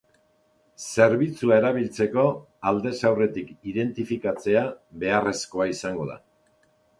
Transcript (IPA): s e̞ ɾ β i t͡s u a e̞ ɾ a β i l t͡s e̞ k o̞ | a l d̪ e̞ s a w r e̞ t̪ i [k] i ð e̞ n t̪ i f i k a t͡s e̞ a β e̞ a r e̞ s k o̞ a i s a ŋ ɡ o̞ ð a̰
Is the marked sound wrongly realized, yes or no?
no